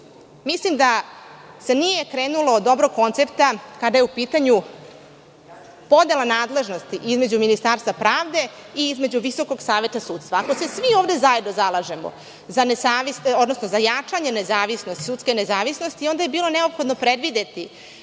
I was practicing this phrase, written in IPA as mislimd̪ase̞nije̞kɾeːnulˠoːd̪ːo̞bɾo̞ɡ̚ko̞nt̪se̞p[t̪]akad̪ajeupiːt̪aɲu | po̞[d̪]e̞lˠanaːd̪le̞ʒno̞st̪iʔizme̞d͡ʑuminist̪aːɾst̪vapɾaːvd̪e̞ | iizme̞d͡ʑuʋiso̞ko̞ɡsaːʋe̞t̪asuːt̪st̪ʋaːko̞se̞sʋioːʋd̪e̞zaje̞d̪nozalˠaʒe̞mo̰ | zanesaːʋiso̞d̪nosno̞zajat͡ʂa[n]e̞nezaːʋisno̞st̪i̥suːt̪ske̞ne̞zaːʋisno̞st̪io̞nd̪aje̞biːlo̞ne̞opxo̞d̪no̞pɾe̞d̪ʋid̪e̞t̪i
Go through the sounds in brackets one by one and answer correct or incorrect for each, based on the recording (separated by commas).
correct, correct, incorrect